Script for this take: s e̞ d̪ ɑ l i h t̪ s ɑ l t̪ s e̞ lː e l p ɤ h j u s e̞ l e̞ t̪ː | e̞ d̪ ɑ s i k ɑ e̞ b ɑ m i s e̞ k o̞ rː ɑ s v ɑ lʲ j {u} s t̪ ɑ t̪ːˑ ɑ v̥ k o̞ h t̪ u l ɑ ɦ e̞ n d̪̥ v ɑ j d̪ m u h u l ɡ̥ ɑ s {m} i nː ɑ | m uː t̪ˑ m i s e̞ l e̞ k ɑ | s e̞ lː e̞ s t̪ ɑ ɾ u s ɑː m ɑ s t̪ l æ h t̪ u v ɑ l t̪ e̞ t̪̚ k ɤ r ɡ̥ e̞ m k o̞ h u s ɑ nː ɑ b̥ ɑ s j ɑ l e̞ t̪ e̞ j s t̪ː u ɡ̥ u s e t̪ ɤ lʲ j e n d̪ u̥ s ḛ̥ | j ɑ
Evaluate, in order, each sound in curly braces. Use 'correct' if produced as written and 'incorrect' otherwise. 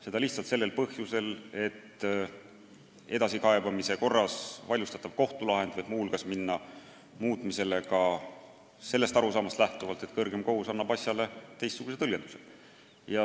correct, correct

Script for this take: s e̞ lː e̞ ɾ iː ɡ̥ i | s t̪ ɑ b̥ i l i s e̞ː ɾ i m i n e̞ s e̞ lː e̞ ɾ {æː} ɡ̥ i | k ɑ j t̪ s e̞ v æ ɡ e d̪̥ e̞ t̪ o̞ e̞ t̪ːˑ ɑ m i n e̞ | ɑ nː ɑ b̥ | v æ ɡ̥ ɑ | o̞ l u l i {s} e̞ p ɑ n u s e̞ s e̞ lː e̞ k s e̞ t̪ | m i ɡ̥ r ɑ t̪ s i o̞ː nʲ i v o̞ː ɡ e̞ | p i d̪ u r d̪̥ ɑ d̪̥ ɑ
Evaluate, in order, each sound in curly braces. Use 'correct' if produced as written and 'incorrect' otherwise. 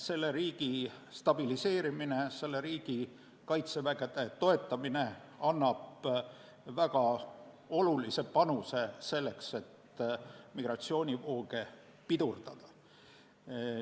incorrect: iː, correct

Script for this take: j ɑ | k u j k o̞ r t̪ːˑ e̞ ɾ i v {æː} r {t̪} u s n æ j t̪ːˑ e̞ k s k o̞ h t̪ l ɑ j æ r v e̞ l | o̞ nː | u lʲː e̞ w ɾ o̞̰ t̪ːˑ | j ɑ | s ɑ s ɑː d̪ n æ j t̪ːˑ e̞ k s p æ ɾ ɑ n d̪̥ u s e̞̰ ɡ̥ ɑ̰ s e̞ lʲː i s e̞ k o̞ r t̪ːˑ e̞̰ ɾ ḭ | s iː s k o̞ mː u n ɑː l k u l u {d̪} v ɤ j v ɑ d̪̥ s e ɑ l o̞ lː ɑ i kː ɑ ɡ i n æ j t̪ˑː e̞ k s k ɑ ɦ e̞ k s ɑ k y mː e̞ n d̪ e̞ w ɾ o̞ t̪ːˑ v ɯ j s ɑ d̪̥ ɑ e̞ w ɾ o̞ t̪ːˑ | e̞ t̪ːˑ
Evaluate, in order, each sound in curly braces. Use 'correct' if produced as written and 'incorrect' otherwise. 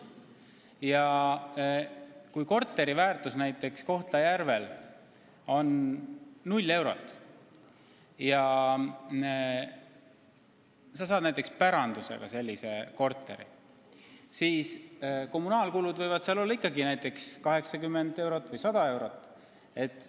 correct, correct, correct

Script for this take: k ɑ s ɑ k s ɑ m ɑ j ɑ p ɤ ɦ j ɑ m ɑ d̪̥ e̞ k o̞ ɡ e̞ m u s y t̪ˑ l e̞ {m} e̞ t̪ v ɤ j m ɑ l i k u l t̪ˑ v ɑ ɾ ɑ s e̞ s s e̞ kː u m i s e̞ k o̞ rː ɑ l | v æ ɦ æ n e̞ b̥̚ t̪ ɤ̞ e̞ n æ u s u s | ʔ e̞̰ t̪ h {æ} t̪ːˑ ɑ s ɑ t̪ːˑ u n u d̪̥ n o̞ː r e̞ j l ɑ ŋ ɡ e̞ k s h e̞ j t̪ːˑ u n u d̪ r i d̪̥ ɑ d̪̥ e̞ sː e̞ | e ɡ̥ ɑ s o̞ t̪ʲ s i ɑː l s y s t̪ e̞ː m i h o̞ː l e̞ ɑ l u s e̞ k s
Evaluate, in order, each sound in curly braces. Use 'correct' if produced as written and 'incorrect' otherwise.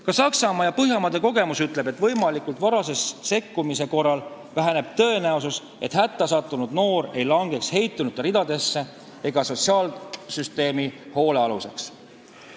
incorrect: b, correct

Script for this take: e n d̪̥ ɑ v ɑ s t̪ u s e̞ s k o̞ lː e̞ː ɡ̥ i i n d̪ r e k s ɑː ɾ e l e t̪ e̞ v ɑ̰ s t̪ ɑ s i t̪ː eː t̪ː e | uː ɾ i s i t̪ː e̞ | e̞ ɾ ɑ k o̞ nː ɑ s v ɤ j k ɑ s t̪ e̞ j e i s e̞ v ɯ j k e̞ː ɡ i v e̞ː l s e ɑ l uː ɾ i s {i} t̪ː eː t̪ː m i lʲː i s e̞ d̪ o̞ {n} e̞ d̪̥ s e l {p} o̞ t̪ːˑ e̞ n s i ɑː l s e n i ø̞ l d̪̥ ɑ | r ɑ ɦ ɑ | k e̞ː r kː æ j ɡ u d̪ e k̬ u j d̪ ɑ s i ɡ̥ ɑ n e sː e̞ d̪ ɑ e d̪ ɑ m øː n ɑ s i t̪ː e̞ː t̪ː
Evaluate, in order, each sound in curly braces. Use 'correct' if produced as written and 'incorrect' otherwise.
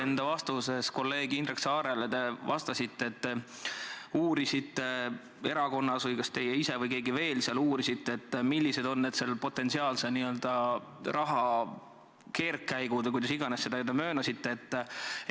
correct, incorrect: nː, correct

